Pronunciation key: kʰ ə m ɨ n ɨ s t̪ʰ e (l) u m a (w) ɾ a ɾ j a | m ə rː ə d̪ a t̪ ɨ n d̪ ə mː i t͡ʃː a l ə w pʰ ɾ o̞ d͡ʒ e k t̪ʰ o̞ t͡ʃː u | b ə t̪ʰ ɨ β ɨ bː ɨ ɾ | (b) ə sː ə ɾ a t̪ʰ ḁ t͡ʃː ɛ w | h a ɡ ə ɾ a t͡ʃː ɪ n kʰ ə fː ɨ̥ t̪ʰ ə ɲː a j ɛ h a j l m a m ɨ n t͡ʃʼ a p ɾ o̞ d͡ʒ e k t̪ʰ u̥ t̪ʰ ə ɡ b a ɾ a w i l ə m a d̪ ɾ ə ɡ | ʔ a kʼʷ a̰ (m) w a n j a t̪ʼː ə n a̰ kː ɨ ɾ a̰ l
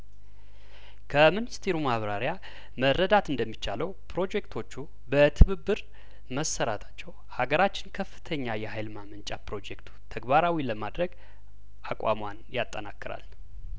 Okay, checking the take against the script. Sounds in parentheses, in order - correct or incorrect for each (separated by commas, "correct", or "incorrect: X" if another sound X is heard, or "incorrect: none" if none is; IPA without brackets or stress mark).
incorrect: ɾ, incorrect: β, incorrect: m, correct